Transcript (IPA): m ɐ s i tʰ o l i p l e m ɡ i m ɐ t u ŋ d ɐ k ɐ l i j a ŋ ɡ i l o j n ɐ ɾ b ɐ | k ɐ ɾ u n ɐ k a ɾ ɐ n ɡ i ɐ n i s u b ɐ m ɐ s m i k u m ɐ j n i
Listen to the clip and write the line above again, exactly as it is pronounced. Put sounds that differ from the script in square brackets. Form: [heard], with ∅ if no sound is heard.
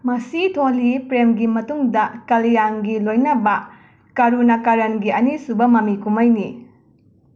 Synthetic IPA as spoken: m ɐ s i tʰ o l i p [ɾ] e m ɡ i m ɐ t u ŋ d ɐ k ɐ l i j a ŋ ɡ i l o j n ɐ [∅] b ɐ | k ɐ ɾ u n ɐ k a ɾ ɐ n ɡ i ɐ n i s u b ɐ m ɐ [∅] m i k u m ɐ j n i